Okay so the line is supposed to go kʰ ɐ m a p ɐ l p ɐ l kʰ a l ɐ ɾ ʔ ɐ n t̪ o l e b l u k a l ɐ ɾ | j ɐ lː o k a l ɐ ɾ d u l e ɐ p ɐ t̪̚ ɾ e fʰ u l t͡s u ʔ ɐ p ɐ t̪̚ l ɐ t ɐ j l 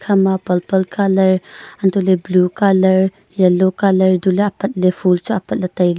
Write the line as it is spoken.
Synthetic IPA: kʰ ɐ m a p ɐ l p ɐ l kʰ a l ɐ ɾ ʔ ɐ n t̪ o l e b l u k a l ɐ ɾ | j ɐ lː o k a l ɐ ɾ d u l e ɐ p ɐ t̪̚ l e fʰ u l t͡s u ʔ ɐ p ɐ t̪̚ l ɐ t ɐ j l